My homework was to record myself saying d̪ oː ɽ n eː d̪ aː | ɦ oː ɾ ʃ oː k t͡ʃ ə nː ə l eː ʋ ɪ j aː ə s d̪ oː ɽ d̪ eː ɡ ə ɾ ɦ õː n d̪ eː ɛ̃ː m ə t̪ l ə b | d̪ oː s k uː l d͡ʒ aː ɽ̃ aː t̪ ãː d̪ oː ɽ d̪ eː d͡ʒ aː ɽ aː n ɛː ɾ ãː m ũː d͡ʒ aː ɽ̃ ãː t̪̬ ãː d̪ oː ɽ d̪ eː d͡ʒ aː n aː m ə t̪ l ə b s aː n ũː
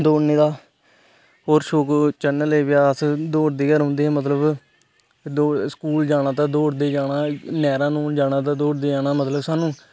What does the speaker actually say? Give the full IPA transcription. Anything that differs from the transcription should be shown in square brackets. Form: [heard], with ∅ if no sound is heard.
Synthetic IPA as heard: d̪ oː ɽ n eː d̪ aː | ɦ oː ɾ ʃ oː k t͡ʃ ə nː ə l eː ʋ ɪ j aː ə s d̪ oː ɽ d̪ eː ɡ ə ɾ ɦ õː n d̪ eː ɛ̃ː m ə t̪ l ə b | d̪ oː s k uː l d͡ʒ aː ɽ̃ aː t̪ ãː d̪ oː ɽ d̪ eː d͡ʒ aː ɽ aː n ɛː ɾ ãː [n] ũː d͡ʒ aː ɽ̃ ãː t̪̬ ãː d̪ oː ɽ d̪ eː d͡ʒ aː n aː m ə t̪ l ə b s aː n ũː

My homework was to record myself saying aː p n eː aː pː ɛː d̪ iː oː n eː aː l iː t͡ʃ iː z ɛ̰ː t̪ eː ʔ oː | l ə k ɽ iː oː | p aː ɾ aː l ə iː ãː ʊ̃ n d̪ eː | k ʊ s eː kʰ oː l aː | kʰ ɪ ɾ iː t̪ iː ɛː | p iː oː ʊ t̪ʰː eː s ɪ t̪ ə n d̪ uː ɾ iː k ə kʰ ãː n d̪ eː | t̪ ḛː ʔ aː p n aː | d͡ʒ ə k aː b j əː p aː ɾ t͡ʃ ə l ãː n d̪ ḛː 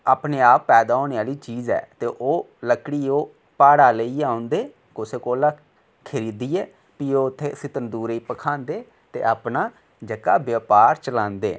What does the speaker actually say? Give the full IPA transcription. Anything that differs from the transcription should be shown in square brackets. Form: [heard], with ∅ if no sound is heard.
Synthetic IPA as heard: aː p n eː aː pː ɛː d̪ [aː] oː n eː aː l iː t͡ʃ iː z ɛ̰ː t̪ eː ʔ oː | l ə k ɽ iː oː | p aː [ɽ] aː l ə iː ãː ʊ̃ n d̪ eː | k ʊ s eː [k] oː l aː | kʰ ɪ ɾ iː [d̪] iː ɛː | p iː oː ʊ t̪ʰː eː s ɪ t̪ ə n d̪ uː ɾ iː [p] ə kʰ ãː n d̪ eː | t̪ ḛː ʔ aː p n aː | d͡ʒ ə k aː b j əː p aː ɾ t͡ʃ ə l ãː n d̪ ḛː

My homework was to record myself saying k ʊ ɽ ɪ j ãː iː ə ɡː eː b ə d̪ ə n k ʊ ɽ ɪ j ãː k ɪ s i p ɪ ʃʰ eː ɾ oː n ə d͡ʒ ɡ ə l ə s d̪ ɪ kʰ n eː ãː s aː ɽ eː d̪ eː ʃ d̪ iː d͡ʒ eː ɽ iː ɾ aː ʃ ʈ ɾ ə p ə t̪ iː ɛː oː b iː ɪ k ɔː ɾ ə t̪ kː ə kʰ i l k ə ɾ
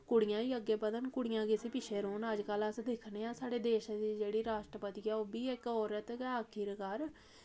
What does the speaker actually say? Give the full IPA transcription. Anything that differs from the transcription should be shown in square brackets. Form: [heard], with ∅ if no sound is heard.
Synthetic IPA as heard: k ʊ ɽ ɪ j ãː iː ə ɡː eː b ə d̪ ə n k ʊ ɽ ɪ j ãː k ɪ s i p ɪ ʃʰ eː ɾ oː n ə d͡ʒ [k] ə l ə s d̪ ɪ kʰ n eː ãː s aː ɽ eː d̪ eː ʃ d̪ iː d͡ʒ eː ɽ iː ɾ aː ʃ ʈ ɾ ə p ə t̪ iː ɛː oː b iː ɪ k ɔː ɾ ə t̪ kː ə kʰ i [ɾ] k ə ɾ

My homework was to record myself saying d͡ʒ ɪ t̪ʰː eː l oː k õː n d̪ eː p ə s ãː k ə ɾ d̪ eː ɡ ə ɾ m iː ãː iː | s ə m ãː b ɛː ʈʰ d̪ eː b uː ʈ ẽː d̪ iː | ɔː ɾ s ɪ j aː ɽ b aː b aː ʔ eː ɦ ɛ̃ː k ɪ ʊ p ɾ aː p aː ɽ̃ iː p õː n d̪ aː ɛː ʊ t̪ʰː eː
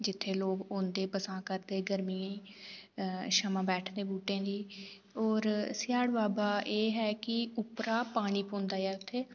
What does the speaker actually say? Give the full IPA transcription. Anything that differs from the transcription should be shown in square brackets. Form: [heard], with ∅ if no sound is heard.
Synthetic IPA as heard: d͡ʒ ɪ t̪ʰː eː l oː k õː n d̪ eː p ə s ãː k ə ɾ d̪ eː ɡ ə ɾ m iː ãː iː | [ʃ] ə m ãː b ɛː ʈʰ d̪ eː b uː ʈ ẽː d̪ iː | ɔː ɾ s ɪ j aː ɽ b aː b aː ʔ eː ɦ [ɛː] k ɪ ʊ p ɾ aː p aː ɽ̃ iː p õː n d̪ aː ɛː ʊ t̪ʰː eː

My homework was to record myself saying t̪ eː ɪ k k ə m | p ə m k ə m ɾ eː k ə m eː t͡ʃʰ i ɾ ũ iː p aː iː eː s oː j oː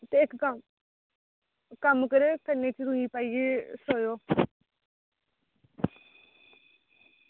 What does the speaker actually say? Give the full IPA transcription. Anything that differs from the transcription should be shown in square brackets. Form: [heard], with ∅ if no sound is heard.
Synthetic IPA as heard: t̪ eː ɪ k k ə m | [k] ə m k ə [∅] ɾ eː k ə [n] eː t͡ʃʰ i ɾ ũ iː p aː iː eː s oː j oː

